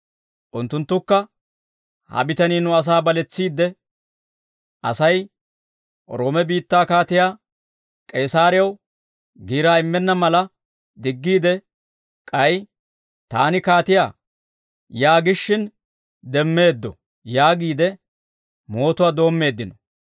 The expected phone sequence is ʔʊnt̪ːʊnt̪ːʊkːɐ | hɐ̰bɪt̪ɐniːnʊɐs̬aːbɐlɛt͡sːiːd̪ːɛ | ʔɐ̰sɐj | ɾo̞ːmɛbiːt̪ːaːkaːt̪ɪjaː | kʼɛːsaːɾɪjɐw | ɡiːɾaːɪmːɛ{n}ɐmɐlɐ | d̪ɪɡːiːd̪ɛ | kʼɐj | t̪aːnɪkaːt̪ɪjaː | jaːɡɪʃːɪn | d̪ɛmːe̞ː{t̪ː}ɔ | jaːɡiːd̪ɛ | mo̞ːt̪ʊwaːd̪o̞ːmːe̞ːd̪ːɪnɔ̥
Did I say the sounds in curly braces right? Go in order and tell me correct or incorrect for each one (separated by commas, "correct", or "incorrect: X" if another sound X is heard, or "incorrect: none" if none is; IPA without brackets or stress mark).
incorrect: nː, incorrect: d̪ː